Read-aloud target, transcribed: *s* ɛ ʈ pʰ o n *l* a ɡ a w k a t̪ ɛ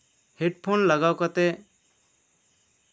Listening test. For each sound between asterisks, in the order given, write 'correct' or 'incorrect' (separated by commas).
incorrect, correct